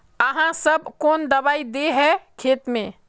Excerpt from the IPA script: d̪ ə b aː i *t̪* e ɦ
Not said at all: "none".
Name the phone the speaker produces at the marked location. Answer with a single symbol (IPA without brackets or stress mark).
d̪